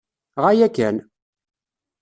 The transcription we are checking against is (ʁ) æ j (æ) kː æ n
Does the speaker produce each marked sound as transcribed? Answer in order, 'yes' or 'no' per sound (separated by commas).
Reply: yes, yes